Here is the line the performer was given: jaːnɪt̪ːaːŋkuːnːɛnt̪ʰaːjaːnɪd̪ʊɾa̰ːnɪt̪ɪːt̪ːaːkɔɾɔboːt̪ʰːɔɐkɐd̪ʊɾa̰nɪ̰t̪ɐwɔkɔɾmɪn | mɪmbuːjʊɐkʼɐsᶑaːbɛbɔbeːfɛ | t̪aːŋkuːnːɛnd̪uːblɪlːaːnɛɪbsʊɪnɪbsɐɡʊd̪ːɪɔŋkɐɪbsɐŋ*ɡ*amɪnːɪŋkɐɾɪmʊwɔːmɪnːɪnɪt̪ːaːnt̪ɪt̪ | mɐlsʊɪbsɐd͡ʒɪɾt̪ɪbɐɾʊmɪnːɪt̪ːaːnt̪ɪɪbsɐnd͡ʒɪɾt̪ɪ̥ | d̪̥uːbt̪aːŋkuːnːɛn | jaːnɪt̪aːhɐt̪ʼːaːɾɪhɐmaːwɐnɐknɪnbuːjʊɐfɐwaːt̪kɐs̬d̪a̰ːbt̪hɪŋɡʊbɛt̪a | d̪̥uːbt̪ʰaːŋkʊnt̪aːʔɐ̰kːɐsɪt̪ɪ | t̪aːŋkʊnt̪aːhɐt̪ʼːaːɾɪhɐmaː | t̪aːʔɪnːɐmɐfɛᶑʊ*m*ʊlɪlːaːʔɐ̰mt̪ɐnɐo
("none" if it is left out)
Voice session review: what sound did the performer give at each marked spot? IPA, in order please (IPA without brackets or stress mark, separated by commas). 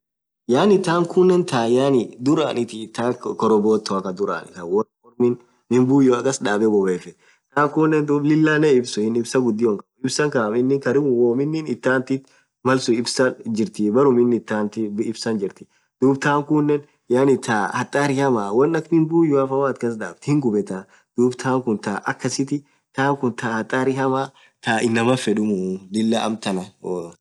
k, m